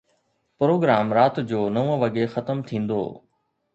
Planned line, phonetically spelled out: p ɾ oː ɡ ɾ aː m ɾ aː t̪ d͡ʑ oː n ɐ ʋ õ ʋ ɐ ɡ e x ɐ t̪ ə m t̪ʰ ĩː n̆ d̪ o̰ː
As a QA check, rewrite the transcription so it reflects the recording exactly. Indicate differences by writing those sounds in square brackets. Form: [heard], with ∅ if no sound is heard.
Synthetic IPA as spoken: p ɾ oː ɡ ɾ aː m ɾ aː t̪ d͡ʑ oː n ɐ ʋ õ ʋ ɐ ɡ e x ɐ t̪ ə m t̪ʰ ĩː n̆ d̪ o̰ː